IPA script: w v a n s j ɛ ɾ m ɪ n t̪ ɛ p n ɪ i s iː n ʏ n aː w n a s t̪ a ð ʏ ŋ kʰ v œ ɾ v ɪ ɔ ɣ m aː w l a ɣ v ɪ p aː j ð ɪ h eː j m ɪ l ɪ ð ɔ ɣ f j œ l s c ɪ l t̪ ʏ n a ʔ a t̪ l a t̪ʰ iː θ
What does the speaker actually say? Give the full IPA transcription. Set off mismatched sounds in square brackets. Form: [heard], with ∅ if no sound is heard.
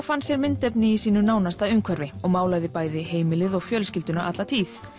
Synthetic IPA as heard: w [f] a n s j ɛ ɾ m ɪ n t̪ ɛ p n ɪ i s iː n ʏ n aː w n a s t̪ a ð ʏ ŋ kʰ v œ ɾ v ɪ ɔ ɣ m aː w l a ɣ [ð] ɪ p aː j ð ɪ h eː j m ɪ l ɪ ð ɔ ɣ f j œ l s c ɪ l t̪ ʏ n a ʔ a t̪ l a t̪ʰ iː θ